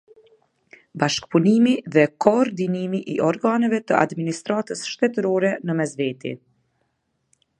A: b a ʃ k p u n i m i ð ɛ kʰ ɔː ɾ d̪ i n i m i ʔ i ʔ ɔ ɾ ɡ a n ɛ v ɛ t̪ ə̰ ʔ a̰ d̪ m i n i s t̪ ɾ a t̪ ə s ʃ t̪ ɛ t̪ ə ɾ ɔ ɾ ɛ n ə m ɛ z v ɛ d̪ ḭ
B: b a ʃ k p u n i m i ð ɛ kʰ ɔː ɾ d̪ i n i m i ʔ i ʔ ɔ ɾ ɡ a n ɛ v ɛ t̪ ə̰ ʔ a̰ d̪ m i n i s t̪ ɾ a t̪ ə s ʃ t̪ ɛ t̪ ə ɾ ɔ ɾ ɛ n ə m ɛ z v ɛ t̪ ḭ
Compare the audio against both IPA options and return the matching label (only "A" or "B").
B